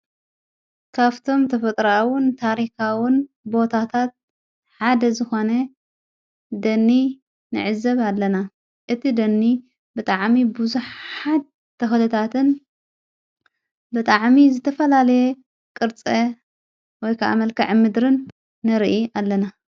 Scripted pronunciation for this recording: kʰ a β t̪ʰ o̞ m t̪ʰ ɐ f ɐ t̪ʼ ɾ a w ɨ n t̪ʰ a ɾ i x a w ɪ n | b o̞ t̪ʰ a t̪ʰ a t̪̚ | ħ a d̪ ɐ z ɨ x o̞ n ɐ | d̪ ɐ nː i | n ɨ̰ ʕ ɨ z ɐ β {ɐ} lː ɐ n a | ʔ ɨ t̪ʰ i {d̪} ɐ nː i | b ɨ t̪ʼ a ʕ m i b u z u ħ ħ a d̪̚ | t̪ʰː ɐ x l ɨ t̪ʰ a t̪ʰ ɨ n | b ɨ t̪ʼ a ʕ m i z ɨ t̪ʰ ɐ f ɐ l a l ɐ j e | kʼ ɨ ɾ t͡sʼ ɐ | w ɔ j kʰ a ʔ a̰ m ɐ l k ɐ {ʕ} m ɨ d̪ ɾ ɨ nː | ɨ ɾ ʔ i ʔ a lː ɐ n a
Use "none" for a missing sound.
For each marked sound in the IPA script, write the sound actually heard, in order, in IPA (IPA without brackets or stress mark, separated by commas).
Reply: a, d̪, ʕ